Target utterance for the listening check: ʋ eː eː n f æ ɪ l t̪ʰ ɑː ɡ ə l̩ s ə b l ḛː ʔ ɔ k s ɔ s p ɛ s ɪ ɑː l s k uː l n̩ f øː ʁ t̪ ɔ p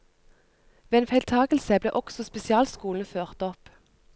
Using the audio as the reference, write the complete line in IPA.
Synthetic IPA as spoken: ʋ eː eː n f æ ɪ l t̪ʰ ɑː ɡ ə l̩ s ə b l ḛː ʔ ɔ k s ɔ s p ɛ s ɪ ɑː l s k uː l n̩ f øː ʁ t̪ ɔ p